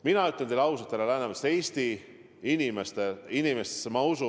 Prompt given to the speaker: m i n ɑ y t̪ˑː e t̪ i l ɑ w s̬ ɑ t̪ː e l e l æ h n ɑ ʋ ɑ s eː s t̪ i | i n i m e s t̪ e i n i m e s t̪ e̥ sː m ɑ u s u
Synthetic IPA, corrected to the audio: m i n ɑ y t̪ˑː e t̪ e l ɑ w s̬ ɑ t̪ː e l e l æ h n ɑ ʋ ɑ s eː s t̪ i | i n i m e s t̪ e i n i m e s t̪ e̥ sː m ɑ u s u